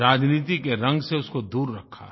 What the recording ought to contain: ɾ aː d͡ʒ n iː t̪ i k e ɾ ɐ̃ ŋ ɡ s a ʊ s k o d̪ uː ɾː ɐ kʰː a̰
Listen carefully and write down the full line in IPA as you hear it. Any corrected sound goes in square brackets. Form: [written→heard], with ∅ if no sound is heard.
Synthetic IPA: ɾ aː d͡ʒ n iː t̪ i k e ɾ ɐ̃ ŋ ɡ s [a→e] ʊ s k o d̪ uː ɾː ɐ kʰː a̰